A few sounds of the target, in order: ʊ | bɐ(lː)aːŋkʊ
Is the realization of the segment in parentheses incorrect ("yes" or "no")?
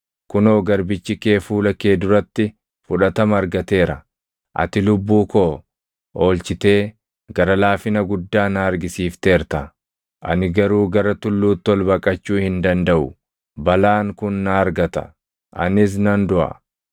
yes